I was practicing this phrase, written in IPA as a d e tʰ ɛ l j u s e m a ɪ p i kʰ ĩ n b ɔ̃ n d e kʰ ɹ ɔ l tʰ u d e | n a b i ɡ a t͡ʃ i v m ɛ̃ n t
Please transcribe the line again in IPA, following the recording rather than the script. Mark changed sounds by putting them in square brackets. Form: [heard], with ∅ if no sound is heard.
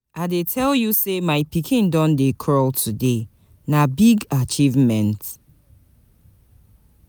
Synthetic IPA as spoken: a d e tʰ ɛ l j u s e m a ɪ p i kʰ ĩ n [d] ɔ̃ n d e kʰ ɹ ɔ l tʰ u d e | n a b i ɡ a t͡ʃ i v m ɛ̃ n t